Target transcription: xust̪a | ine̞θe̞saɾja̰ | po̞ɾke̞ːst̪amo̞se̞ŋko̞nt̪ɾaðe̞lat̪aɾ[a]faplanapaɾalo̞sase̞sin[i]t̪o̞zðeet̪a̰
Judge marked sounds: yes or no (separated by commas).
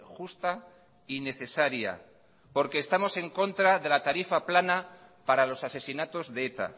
no, no